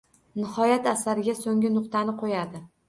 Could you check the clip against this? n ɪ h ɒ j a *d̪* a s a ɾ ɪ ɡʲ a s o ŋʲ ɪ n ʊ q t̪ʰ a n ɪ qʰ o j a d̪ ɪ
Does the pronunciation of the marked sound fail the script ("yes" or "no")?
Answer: yes